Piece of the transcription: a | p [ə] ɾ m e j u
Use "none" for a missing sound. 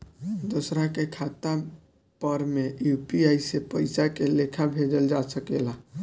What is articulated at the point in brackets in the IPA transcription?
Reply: ə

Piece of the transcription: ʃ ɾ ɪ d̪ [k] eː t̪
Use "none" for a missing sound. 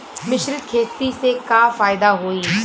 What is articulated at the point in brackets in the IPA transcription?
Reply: kʰ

